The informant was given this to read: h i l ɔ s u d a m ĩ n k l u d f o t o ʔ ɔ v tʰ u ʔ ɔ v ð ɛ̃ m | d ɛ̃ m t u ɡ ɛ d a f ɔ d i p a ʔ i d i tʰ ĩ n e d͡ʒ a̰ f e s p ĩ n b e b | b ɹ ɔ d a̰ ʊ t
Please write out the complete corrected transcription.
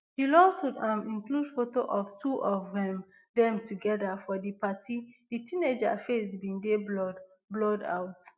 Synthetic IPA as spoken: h i l ɔ s u d a m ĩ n k l u d f o t o ʔ ɔ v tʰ u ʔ ɔ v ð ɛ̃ m | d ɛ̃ m t u ɡ ɛ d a f ɔ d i p a t i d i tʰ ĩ n e d͡ʒ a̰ f e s b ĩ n d e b | b l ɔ d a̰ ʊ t